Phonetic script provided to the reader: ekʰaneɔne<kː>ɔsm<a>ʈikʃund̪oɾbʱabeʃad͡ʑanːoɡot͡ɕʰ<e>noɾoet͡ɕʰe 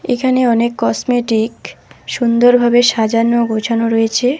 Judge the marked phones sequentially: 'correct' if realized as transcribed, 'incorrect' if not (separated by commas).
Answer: correct, incorrect, incorrect